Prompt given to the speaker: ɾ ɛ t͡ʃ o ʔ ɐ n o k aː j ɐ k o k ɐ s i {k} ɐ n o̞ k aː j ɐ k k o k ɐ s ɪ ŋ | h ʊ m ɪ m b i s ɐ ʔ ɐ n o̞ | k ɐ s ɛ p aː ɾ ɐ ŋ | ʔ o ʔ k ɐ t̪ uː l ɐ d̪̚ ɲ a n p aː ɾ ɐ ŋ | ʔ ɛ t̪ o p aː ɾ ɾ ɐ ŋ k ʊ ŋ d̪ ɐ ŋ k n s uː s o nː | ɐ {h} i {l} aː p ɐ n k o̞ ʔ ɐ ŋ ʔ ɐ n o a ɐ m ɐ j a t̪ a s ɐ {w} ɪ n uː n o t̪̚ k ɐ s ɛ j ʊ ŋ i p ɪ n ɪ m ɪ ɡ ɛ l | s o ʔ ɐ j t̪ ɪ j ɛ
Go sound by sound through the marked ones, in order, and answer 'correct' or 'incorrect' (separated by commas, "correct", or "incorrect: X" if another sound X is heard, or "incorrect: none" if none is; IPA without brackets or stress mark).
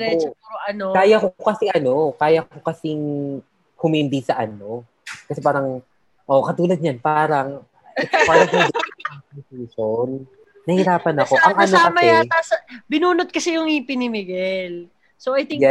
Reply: incorrect: ʔ, correct, incorrect: ɾ, incorrect: b